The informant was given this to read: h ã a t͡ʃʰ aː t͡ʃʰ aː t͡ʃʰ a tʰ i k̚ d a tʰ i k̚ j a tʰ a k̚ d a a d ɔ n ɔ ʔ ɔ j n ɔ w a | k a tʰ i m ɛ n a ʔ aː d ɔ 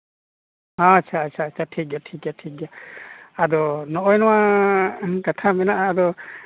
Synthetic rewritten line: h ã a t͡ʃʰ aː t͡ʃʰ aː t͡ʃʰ a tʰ i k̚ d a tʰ i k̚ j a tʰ i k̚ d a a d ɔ n ɔ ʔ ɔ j n ɔ w a | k a tʰ a m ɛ n a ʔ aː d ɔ